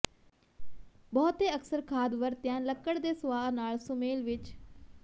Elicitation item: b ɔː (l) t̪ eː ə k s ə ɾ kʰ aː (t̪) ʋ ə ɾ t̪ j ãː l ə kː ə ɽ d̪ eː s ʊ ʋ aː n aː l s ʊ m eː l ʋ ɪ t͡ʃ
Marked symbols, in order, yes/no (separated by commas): no, no